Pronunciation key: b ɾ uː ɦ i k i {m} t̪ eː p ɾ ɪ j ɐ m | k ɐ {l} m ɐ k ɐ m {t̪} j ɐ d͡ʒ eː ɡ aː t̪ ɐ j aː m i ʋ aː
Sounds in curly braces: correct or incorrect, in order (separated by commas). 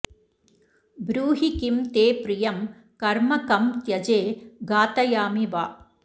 correct, incorrect, correct